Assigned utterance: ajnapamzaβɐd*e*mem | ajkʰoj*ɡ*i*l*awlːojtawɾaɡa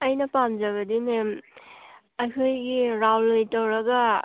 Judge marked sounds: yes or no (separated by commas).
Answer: no, yes, no